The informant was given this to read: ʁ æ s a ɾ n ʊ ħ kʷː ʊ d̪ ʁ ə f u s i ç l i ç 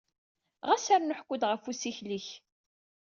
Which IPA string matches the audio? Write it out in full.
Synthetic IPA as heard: ʁ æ s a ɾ n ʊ ħ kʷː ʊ d̪ ʁ ə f u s i ç l i ç